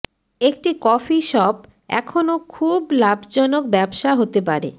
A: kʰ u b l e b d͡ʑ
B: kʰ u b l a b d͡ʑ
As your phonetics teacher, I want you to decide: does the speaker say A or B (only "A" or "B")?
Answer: B